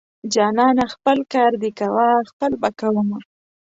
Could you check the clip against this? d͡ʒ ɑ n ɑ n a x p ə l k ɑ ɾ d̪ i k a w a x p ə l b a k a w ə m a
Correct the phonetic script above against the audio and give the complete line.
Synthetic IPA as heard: d͡ʒ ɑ n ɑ n a x p ə l k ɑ ɾ d̪ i k a w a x p ə l b a k a w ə m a

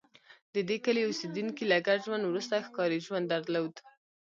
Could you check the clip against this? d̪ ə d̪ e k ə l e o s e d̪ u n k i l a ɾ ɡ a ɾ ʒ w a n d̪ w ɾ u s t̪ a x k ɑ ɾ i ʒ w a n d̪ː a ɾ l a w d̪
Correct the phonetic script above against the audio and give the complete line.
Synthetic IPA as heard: d̪ ə d̪ e k ə l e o s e d̪ u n k i l a ɡ a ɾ ʒ w a n d̪ w ɾ u s t̪ a x k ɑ ɾ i ʒ w a n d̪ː a ɾ l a w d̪

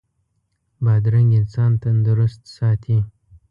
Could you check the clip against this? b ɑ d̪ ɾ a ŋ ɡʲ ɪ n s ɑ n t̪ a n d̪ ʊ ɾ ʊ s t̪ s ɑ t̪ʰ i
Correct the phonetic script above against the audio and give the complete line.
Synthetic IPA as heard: b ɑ d̪ ɾ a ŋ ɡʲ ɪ n s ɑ n t̪ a n d̪ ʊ ɾ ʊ s t̪ s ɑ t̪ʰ i

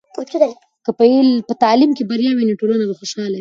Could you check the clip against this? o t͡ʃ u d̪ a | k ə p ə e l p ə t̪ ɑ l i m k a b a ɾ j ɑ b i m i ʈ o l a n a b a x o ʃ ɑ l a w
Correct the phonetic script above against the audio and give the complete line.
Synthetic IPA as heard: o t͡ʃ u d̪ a | k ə p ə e l p ə t̪ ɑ l i m k e b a ɾ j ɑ w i n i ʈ o l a n a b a x o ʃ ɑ l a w

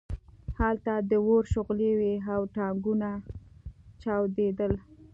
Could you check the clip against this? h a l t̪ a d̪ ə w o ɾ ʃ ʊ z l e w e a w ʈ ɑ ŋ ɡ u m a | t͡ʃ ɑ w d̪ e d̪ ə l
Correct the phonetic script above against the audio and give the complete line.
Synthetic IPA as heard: h a l t̪ a d̪ ə w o ɾ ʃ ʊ ɣ l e w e a w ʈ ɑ ŋ ɡ u n a | t͡ʃ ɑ w d̪ e d̪ ə l

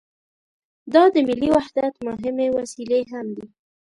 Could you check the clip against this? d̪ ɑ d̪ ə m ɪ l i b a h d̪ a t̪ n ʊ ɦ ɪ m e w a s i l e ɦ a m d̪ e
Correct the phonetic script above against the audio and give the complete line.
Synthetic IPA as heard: d̪ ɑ d̪ ə m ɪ l i w a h d̪ a t̪ m ʊ ɦ ɪ m e w a s i l e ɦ a m d̪ i

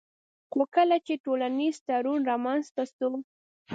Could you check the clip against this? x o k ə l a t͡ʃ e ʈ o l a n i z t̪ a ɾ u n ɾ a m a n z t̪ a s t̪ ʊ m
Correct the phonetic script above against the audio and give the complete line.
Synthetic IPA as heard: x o k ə l a t͡ʃ e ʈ o l a n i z t̪ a ɾ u n ɾ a m a n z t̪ a s t̪ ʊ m

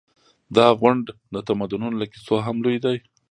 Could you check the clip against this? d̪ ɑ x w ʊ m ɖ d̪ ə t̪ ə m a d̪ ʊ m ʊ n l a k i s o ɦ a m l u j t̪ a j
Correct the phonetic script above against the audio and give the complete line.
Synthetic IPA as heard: d̪ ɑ ɣ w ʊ ɳ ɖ d̪ ə t̪ a m a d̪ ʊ n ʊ n l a k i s o ɦ a m l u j d̪ a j

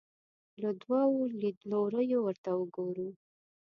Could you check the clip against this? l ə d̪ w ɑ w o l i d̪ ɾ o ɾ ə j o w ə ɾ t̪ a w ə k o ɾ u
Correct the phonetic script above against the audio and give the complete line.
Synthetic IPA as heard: l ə d̪ w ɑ w o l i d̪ l o ɾ ə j o w ə ɾ t̪ a w ə ɡ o ɾ u

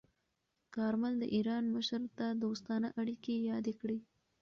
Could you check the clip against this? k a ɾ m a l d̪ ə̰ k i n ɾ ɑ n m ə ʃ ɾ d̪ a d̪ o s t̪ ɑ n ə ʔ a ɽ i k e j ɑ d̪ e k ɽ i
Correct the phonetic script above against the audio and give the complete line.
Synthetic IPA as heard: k ɑ ɾ m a l d̪ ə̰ ʔ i ɾ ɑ n m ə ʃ ɾ t̪ a d̪ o s t̪ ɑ n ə ʔ a ɽ i k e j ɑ d̪ e k ɽ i

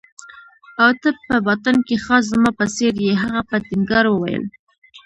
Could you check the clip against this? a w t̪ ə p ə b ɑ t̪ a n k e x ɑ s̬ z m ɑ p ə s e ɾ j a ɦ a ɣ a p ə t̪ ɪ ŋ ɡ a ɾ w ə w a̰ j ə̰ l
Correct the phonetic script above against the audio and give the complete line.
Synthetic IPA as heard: a w t̪ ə p ə b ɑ t̪ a n k e x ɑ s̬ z m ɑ p ə s e ɾ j e ɦ a ɣ a p ə t̪ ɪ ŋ ɡ ɑ ɾ w ə w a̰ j ə̰ l

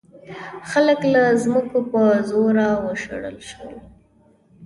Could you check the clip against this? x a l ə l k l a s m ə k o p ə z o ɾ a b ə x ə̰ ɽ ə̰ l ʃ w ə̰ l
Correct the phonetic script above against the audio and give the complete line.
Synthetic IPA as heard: x a l ə k l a z m ə k o p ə z o ɾ a w ə ʃ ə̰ ɽ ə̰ l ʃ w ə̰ l

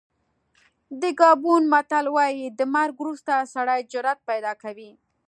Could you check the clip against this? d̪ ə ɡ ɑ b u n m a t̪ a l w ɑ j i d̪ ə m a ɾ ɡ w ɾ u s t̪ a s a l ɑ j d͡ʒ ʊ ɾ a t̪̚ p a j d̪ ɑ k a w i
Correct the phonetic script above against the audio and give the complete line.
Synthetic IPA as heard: d̪ ə ɡ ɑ b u n m a t̪ a l w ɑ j i d̪ ə m a ɾ ɡ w ɾ u s t̪ a s a ɽ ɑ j d͡ʒ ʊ ɾ a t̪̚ p a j d̪ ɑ k a w i

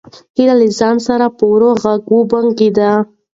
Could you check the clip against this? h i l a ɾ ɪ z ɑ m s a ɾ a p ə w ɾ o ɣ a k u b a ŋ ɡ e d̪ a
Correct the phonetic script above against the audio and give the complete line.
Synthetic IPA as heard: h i l a l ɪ z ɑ n s a ɾ a p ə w ɾ o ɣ a ɡ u b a ŋ ɡ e d̪ a

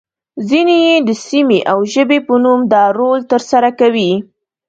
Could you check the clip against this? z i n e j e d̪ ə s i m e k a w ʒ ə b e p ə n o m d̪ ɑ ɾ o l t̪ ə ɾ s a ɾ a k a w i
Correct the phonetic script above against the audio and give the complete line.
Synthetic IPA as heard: z i n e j e d̪ ə s i m e ʔ a w ʒ ə b e p ə n u m d̪ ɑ ɾ o l t̪ ə ɾ s a ɾ a k a w i

